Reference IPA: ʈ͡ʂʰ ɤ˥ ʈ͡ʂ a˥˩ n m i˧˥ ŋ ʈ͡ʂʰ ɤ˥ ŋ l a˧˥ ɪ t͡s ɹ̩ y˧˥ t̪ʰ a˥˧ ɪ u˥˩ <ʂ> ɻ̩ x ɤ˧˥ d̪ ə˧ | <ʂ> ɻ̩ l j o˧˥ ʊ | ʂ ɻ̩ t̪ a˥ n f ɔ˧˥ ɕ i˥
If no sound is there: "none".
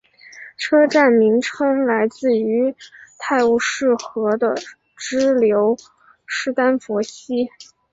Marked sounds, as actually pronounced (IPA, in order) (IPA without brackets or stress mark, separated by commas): ʂ, ʈ͡ʂ